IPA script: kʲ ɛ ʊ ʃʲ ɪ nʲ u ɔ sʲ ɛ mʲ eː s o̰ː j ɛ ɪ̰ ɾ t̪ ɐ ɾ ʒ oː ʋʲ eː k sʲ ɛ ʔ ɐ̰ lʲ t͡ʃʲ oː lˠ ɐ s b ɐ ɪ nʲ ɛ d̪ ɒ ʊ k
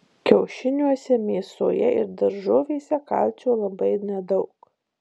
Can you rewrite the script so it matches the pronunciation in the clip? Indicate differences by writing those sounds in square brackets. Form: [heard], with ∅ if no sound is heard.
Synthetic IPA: kʲ ɛ ʊ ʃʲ ɪ nʲ u ɔ sʲ ɛ mʲ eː s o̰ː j ɛ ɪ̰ ɾ [d̪] ɐ ɾ ʒ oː ʋʲ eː [∅] sʲ ɛ [k] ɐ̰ lʲ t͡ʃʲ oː lˠ ɐ [∅] b ɐ ɪ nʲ ɛ d̪ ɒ ʊ k